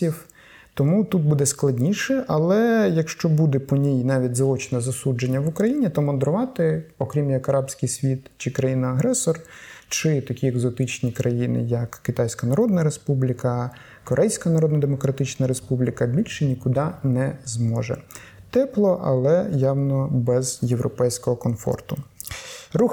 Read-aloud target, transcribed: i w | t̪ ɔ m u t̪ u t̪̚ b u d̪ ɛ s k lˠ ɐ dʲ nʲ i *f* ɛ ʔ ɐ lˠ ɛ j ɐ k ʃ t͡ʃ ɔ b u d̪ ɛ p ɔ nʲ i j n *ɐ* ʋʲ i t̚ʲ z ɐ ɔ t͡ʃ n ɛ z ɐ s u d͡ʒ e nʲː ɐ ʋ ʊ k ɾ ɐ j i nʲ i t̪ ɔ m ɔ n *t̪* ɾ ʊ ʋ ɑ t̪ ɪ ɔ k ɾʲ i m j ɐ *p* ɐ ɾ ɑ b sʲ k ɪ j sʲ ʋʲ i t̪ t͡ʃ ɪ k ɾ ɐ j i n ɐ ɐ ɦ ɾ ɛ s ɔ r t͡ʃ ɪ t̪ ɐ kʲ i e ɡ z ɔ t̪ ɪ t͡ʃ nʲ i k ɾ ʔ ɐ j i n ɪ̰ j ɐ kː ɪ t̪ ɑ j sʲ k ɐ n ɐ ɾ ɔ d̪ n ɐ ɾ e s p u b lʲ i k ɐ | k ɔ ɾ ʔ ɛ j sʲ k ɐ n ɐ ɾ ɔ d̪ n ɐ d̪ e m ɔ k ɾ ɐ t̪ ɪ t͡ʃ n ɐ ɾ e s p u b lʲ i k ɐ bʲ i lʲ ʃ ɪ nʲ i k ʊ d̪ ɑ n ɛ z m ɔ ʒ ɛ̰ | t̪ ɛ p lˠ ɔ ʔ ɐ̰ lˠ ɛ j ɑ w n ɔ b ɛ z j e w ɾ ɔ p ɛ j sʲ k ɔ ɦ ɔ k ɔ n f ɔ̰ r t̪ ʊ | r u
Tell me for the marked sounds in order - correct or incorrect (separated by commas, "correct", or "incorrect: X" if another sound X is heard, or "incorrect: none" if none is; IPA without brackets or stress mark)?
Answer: incorrect: ʃ, incorrect: ɑ, incorrect: d̪, incorrect: k